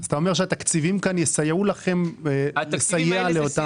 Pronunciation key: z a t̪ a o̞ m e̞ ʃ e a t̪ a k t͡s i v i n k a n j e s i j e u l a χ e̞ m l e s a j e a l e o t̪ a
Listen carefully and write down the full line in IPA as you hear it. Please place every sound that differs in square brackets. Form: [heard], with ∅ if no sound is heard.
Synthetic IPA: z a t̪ a o̞ m e̞ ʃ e a t̪ a k t͡s i v i [m] k a n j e s [a] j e u l a χ e̞ m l e s a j e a l e o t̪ a